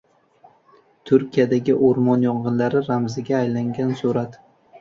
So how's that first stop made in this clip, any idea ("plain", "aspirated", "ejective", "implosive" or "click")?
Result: aspirated